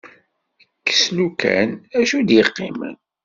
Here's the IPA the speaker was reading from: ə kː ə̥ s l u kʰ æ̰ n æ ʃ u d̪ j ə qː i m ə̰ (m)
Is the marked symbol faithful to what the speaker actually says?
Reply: no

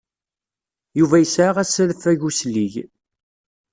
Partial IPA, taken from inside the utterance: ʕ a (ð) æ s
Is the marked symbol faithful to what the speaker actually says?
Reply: no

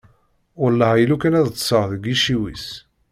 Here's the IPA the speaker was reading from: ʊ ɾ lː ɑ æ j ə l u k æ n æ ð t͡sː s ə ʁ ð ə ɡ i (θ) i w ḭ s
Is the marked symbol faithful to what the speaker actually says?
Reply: no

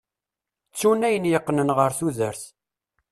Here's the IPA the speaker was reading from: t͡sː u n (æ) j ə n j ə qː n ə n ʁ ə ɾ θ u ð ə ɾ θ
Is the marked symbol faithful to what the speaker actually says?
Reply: yes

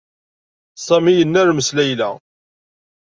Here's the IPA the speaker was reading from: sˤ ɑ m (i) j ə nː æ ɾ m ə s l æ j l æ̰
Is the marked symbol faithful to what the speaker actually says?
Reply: yes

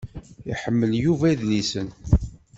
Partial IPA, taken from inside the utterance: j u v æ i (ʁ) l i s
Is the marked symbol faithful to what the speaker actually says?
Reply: no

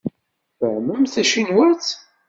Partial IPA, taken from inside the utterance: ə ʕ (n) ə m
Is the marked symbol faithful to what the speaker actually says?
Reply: no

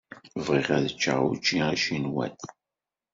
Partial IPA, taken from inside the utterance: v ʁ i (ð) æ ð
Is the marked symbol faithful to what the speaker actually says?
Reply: no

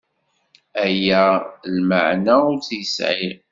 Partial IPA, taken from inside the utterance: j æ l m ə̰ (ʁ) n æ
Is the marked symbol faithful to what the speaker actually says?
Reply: no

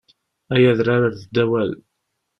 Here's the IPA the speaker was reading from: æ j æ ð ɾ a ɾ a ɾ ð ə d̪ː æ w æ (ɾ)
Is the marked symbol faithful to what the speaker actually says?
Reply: no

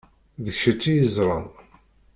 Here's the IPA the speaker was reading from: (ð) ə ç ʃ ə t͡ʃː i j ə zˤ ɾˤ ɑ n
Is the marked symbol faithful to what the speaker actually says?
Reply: yes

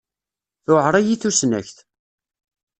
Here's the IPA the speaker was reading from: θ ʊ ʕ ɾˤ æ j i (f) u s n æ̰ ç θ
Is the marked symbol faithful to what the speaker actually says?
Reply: no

